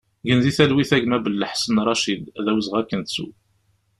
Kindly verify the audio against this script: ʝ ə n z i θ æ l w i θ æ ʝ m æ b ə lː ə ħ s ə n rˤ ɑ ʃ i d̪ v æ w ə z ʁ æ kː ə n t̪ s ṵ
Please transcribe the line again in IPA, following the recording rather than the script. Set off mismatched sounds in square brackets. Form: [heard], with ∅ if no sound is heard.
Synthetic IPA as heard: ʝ ə n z i θ æ l w i θ æ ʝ m æ b ə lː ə ħ s ə n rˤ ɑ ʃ i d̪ [ð] æ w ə z ʁ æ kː ə n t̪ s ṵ